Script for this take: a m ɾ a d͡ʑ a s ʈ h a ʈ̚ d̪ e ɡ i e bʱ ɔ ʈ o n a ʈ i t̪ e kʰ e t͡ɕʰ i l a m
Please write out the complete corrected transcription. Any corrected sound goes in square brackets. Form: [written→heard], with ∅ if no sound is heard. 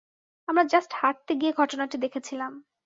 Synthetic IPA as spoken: a m ɾ a d͡ʑ a s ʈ h a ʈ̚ [d̪→t̪] e ɡ i e [bʱ→ɡʱ] ɔ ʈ o n a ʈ i [t̪→d̪] e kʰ e t͡ɕʰ i l a m